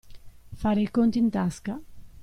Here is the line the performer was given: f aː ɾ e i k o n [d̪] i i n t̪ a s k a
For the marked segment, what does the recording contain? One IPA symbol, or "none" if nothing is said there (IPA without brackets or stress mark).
t̪